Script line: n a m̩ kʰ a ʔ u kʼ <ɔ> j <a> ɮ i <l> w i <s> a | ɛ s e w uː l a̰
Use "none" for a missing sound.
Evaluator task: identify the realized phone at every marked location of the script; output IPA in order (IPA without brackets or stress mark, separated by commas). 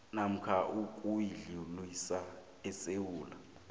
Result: u, i, l, s